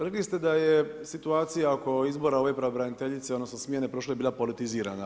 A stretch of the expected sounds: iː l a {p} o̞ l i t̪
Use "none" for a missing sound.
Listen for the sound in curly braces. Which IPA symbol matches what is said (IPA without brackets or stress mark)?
p